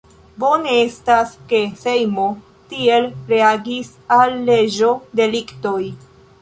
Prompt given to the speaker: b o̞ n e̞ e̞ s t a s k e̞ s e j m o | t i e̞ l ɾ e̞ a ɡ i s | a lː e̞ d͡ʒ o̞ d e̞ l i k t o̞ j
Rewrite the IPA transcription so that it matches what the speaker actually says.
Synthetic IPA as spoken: b o̞ n e̞ e̞ s t a s k e̞ s e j m o | t i e̞ l ɾ e̞ a ɡ i s | a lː e̞ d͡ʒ o̞ d e̞ l i k t o̞ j